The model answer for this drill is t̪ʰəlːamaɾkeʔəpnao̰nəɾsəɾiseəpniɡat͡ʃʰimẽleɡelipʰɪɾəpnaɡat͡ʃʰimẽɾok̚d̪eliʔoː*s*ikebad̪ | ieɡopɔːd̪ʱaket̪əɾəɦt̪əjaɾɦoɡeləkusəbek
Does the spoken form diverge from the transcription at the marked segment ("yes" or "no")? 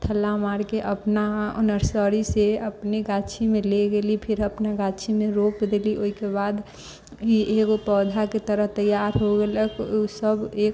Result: yes